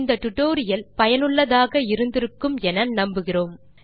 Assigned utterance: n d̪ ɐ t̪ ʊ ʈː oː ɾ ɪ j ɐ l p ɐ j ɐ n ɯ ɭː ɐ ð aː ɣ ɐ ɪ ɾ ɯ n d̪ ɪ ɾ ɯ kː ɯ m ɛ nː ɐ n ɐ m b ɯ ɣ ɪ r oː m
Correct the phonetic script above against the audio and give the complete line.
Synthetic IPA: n d̪ ɐ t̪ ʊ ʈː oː ɾ ɪ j ɐ l p ɐ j ɐ n ɯ ɭː ɐ ð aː ɣ ɐ ɪ ɾ ɯ n d̪ ɪ ɾ ɯ kː ɯ m ɛ n ɐ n ɐ m b ɯ ɣ ɪ r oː m